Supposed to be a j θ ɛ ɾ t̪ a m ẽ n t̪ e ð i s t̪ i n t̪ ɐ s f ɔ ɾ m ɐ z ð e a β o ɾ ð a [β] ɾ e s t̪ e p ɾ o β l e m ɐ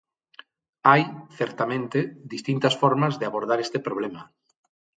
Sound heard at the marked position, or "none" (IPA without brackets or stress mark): none